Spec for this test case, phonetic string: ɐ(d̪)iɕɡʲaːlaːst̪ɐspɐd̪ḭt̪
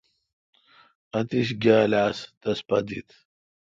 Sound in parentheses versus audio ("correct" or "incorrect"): incorrect